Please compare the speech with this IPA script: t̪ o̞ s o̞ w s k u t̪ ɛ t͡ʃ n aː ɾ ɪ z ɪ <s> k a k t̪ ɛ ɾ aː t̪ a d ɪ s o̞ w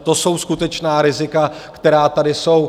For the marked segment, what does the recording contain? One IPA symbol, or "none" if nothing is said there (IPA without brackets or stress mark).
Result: none